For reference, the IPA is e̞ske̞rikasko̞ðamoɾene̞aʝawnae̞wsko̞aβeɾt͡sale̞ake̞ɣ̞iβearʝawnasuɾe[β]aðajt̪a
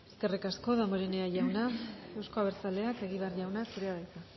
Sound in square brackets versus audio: incorrect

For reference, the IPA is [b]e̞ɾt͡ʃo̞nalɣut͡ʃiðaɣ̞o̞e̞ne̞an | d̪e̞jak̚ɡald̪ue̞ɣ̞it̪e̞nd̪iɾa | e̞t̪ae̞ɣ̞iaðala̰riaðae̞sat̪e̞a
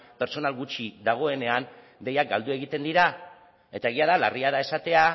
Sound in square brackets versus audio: incorrect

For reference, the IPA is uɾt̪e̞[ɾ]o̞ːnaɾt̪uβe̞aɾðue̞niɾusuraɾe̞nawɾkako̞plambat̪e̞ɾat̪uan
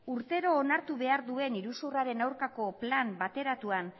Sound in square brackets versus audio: correct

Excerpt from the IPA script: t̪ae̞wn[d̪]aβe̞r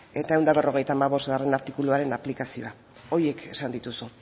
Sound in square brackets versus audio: correct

